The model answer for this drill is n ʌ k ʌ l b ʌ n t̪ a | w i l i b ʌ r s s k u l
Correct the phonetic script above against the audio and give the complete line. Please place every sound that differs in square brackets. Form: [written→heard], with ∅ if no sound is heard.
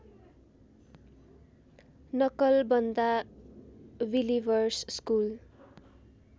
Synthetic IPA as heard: n ʌ k ʌ l b ʌ n [t̪→d̪] a | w i l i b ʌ r s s k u l